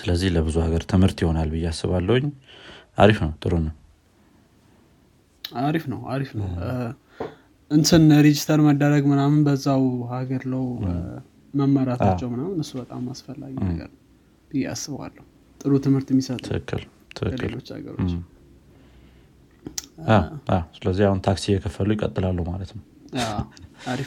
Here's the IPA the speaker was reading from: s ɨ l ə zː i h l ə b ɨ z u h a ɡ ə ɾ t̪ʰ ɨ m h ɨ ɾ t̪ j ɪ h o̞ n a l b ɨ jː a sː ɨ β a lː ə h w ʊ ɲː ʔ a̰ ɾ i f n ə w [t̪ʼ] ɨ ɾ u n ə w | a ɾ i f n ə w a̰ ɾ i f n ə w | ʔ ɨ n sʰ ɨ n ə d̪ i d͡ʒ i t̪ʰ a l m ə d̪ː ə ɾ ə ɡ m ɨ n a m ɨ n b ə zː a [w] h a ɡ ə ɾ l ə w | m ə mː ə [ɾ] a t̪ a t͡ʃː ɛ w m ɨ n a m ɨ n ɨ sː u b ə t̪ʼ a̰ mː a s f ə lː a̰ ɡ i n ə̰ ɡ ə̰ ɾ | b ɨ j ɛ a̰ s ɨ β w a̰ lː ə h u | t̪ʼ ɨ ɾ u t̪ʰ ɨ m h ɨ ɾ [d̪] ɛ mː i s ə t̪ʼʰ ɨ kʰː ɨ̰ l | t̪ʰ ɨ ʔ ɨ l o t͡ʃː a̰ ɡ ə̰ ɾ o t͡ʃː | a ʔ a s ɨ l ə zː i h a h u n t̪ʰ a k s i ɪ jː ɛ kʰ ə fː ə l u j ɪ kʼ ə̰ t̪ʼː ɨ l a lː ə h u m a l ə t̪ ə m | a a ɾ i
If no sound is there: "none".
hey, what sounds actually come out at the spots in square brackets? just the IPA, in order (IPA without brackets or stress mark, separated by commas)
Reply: t̪ʼ, w, ɾ, t̪